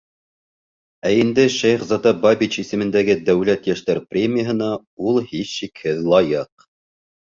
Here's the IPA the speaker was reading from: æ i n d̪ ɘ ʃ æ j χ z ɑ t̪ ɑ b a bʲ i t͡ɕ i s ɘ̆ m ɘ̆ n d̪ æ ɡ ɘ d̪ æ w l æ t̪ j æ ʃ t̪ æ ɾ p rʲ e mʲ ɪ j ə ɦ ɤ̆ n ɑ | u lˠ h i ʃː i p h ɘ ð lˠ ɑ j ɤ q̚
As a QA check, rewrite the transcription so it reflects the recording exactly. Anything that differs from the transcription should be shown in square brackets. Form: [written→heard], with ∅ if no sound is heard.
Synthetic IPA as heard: æ i n d̪ ɘ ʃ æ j χ z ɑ t̪ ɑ b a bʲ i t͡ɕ i s ɘ̆ m ɘ̆ n d̪ æ ɡ ɘ d̪ æ w l æ t̪ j æ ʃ t̪ æ ɾ p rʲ e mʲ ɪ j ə ɦ ɤ̆ n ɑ | u lˠ h i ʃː i [p→k] h ɘ ð lˠ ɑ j ɤ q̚

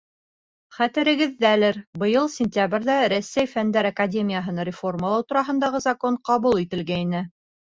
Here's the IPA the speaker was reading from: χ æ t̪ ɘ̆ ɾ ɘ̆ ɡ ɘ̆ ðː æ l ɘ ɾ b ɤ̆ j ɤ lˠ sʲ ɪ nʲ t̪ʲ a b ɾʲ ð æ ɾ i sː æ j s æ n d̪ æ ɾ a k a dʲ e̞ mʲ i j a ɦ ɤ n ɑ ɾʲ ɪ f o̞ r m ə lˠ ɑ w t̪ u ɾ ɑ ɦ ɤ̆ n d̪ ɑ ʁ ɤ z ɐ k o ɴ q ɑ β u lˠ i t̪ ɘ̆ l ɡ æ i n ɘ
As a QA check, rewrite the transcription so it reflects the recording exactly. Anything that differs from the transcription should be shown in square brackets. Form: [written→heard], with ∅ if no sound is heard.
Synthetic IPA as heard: χ æ t̪ ɘ̆ ɾ ɘ̆ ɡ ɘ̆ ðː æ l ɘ ɾ b ɤ̆ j ɤ lˠ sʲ ɪ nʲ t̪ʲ a b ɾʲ ð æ ɾ [i→æ] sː æ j [s→f] æ n d̪ æ ɾ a k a dʲ e̞ mʲ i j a ɦ ɤ n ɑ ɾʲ ɪ f o̞ r m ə lˠ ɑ w t̪ u ɾ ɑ ɦ ɤ̆ n d̪ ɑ ʁ ɤ z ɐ k o ɴ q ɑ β u lˠ i t̪ ɘ̆ l ɡ æ i n ɘ

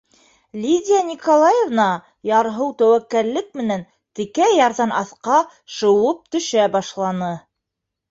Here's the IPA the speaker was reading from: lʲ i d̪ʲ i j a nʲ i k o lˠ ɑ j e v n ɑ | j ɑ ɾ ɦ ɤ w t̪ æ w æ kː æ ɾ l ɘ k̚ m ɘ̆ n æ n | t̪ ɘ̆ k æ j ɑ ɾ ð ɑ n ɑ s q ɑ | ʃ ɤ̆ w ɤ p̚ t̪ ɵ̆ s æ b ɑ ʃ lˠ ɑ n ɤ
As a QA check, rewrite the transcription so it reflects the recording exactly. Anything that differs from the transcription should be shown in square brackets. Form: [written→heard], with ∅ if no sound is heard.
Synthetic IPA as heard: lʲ i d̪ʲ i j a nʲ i k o lˠ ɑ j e v n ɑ | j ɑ ɾ ɦ ɤ w t̪ æ w æ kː æ ɾ l ɘ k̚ m ɘ̆ n æ n | t̪ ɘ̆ k æ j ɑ ɾ ð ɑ n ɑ [s→θ] q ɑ | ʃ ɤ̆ w ɤ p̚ t̪ ɵ̆ [s→ʃ] æ b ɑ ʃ lˠ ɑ n ɤ

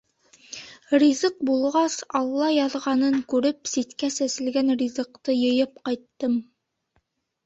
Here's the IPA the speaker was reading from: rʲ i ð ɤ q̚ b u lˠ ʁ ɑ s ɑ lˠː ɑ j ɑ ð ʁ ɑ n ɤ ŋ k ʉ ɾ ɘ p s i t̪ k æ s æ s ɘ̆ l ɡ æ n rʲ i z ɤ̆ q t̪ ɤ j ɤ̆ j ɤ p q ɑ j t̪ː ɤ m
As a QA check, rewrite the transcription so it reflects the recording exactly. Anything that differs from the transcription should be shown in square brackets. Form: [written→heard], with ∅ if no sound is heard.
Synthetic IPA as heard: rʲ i [ð→z] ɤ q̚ b u lˠ ʁ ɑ s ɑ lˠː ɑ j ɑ ð ʁ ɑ n ɤ ŋ k ʉ ɾ ɘ p s i t̪ k æ s æ s ɘ̆ l ɡ æ n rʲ i z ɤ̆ q t̪ ɤ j ɤ̆ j ɤ p q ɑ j t̪ː ɤ m

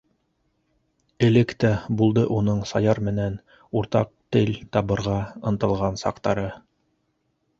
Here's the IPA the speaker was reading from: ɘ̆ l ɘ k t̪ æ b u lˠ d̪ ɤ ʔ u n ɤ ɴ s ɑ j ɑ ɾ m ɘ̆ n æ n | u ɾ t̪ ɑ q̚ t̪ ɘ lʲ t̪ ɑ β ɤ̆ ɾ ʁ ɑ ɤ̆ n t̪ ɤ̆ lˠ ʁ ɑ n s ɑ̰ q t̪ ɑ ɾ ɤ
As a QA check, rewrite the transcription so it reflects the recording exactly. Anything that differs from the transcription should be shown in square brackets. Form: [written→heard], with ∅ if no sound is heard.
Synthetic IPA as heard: ɘ̆ l ɘ k t̪ æ b u lˠ d̪ ɤ ʔ u n ɤ ɴ s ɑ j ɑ ɾ m ɘ̆ n æ n | u ɾ t̪ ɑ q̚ t̪ ɘ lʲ t̪ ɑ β ɤ̆ ɾ ʁ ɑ ɤ̆ n t̪ ɤ̆ lˠ ʁ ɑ n s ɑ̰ q t̪ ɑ ɾ ɤ

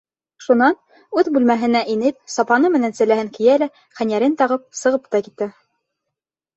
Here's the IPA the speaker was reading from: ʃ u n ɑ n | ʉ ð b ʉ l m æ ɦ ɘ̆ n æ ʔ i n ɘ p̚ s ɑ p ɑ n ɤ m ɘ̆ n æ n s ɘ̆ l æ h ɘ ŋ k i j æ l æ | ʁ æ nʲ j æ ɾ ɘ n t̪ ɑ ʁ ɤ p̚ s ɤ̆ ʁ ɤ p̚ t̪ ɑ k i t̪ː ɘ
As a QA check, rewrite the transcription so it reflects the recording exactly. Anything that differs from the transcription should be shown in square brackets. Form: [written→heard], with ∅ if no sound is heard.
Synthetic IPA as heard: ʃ u n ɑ n | ʉ ð b ʉ l m æ ɦ ɘ̆ n æ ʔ i n ɘ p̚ s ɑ p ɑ n ɤ m ɘ̆ n æ n s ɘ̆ l æ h ɘ ŋ k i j æ l æ | [ʁ→χ] æ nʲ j æ ɾ ɘ n t̪ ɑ ʁ ɤ p̚ s ɤ̆ ʁ ɤ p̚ t̪ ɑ k i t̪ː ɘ

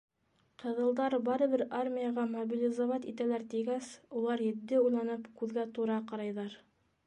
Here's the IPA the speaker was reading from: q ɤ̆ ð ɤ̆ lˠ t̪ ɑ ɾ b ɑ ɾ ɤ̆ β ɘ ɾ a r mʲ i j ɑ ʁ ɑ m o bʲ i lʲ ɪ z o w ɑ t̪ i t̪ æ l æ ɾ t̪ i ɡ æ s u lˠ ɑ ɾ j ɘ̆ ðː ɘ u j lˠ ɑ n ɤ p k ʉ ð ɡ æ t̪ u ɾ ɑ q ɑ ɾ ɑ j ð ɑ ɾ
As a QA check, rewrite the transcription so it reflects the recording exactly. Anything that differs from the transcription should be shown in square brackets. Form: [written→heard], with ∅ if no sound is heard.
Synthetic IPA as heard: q ɤ̆ ð ɤ̆ lˠ [t̪→d̪] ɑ ɾ b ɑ ɾ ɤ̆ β ɘ ɾ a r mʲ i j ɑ ʁ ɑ m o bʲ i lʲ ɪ z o [w→v] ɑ t̪ i t̪ æ l æ ɾ t̪ i ɡ æ s u lˠ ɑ ɾ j ɘ̆ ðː ɘ u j lˠ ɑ n ɤ p k ʉ ð ɡ æ t̪ u ɾ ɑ q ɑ ɾ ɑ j ð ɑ ɾ

